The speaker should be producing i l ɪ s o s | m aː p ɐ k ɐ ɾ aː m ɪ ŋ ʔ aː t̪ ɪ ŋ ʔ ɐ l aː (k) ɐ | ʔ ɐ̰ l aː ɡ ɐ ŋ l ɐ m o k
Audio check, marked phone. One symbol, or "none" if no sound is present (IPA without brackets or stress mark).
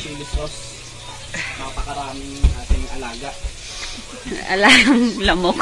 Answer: ɡ